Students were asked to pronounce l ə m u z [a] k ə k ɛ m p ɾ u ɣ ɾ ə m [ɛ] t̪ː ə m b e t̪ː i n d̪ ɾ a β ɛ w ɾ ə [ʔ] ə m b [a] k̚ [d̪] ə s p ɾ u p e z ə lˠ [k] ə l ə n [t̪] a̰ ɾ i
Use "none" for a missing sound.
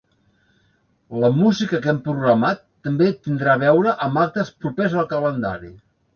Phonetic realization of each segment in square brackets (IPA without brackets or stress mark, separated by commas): i, a, ʔ, a, t̪, k, d̪